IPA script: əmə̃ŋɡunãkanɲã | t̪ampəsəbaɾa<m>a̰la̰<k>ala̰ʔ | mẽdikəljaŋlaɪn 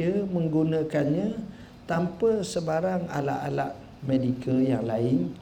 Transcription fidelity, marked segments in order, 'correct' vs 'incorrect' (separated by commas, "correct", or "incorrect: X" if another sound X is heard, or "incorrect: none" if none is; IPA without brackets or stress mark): incorrect: ŋ, incorrect: ʔ